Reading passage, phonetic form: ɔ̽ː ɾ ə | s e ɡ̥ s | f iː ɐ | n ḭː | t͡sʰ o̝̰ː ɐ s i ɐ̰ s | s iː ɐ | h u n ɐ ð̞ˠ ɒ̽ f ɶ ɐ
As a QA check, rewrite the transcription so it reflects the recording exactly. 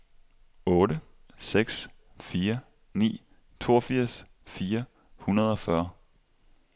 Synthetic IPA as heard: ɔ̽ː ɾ ə | s e ɡ̥ s | f iː ɐ | n ḭː | t͡sʰ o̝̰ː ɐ f i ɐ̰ s | f iː ɐ | h u n ɐ ð̞ˠ ɒ̽ f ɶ ɐ